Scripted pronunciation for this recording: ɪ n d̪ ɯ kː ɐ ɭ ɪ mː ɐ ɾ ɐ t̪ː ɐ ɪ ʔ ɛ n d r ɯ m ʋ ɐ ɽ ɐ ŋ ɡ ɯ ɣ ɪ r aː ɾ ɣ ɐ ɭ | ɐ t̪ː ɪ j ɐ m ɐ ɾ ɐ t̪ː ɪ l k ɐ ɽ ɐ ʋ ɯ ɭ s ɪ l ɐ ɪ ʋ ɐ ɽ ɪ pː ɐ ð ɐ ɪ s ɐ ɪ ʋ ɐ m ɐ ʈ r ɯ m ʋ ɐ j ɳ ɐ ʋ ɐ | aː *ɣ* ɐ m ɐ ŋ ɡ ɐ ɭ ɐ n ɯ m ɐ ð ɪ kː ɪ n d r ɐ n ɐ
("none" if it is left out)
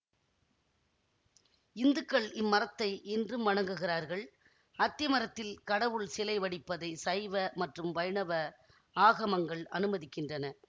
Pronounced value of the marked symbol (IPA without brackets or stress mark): ɣ